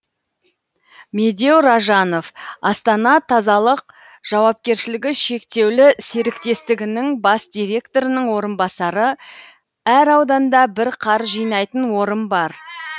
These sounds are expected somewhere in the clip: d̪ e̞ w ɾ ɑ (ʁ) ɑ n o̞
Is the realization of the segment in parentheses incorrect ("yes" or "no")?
yes